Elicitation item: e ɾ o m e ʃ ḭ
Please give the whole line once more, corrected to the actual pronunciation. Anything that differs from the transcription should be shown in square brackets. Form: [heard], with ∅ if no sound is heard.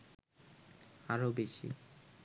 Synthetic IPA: [a] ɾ o [b] e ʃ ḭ